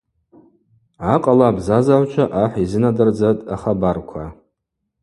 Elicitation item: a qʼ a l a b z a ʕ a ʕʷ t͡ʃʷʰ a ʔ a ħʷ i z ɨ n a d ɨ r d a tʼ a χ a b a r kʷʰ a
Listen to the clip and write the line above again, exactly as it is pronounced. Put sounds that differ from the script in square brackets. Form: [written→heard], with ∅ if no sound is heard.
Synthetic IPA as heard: a qʼ a l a b z a [ʕ→z] a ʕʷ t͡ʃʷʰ a ʔ a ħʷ i z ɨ n a d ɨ r [d→d͡z] a tʼ a χ a b a r kʷʰ a